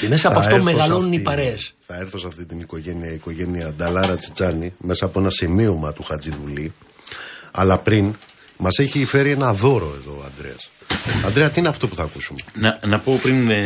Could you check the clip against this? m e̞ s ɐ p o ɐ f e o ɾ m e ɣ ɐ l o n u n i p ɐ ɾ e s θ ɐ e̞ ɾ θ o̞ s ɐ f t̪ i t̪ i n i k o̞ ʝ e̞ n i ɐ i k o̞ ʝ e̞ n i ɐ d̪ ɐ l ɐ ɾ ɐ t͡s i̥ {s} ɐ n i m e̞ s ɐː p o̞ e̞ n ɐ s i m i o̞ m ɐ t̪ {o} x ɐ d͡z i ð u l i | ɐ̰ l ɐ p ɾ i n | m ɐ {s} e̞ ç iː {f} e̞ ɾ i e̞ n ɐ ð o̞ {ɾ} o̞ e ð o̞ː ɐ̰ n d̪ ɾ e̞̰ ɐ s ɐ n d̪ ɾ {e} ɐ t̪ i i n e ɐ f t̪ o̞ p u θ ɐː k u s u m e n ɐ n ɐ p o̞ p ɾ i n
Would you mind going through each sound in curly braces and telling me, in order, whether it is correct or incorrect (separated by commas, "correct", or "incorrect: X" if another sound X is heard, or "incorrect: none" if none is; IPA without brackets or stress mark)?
incorrect: t͡s, incorrect: u, correct, correct, correct, correct